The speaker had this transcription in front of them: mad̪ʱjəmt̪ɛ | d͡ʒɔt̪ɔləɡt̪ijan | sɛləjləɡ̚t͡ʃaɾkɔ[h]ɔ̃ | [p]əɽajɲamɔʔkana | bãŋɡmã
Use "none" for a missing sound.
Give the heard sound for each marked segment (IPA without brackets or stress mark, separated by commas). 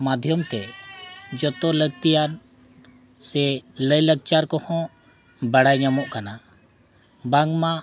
h, b